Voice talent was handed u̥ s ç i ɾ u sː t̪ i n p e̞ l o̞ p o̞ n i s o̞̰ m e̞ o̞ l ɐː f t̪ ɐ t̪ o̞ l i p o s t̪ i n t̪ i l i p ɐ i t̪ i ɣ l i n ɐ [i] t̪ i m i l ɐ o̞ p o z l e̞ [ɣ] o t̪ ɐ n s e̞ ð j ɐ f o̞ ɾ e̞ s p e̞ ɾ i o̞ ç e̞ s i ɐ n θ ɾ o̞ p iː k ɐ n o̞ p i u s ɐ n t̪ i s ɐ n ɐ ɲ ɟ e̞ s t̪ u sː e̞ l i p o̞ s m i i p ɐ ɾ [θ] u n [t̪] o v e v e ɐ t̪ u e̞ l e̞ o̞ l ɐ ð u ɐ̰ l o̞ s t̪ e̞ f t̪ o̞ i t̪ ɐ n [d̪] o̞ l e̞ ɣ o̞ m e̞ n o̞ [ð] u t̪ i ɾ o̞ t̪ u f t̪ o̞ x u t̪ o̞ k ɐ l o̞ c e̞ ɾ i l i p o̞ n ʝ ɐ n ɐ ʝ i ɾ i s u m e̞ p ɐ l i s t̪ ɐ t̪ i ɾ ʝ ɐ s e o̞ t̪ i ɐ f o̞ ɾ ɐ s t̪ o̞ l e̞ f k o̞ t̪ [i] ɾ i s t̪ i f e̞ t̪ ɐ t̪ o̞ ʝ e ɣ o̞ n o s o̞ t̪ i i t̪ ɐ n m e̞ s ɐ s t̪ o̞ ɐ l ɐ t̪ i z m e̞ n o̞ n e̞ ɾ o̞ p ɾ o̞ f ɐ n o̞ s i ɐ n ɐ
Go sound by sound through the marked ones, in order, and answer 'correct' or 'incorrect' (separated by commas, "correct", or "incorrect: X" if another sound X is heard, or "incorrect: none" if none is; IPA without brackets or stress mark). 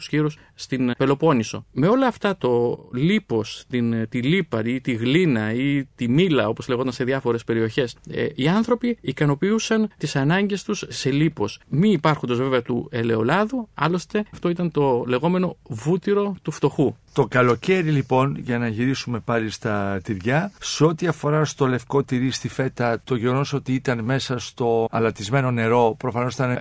correct, correct, incorrect: x, incorrect: d̪, incorrect: t̪, incorrect: v, correct